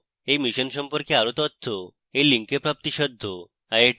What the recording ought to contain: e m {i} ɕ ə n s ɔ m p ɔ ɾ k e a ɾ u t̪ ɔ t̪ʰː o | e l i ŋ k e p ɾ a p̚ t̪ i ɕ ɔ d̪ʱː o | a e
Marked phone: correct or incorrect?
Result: correct